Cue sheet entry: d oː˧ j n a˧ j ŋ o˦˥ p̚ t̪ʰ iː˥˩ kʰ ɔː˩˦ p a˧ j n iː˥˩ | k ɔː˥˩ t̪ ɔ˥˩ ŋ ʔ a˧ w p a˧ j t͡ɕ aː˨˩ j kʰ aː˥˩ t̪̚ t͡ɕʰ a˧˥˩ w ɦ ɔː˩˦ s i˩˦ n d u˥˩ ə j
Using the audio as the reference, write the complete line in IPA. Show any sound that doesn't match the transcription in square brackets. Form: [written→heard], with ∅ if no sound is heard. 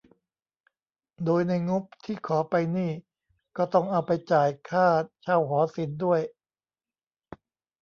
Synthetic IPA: d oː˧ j n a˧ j ŋ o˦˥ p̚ t̪ʰ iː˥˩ kʰ ɔː˩˦ p a˧ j n iː˥˩ | k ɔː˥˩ t̪ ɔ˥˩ ŋ ʔ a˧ w p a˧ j t͡ɕ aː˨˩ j kʰ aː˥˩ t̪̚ t͡ɕʰ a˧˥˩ w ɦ ɔː˩˦ s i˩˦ n d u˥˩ ə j